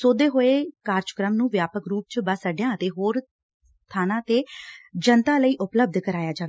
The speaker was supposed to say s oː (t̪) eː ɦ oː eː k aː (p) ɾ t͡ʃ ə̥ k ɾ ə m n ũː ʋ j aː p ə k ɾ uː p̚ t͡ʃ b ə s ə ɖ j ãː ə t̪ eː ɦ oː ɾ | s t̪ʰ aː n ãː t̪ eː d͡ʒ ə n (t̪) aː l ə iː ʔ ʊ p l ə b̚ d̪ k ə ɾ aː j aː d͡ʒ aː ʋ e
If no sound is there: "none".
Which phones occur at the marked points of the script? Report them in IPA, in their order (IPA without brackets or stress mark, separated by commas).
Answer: d̪, none, t̪